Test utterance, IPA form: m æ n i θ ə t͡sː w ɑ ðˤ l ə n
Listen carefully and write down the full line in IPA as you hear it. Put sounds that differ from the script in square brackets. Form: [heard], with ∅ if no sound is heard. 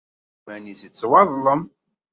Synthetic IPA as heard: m æ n i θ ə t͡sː w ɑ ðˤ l ə [m]